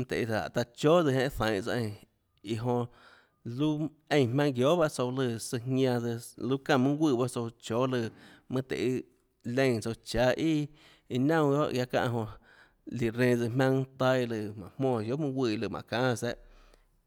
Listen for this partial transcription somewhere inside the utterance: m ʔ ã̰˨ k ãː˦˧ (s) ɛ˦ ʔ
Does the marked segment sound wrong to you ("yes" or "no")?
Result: no